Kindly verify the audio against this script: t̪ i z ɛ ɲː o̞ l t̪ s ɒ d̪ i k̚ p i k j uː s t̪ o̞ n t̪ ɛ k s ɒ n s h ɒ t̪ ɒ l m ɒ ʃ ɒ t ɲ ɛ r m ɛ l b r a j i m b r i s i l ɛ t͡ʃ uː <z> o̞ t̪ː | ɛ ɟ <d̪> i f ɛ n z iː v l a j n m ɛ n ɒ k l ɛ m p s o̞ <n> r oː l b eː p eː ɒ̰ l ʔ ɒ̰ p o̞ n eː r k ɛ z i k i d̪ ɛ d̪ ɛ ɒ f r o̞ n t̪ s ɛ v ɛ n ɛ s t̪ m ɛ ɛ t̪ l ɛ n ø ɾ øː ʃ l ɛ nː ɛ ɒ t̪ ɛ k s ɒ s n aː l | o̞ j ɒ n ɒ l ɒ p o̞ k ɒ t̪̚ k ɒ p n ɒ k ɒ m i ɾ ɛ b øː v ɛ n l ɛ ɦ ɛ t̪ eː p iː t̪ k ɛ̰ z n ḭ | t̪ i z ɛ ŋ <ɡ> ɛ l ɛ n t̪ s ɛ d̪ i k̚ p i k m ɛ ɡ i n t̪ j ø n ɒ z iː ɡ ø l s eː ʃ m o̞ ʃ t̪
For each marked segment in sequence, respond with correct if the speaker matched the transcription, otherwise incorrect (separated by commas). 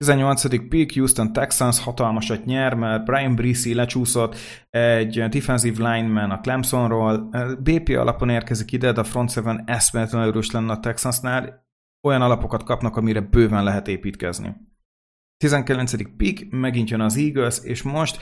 incorrect, correct, correct, incorrect